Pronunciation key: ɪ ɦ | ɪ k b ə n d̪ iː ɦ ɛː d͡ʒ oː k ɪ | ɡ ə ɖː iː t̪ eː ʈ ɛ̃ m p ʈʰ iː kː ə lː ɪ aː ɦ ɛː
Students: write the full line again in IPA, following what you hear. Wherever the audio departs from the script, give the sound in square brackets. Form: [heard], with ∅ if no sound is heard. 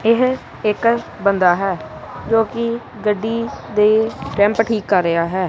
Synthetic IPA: ɪ ɦ | ɪ k b ə n d̪ [aː] ɦ ɛː d͡ʒ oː k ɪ | ɡ ə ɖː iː [d̪] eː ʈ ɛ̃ m p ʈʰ iː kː ə [ɾː] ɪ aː ɦ ɛː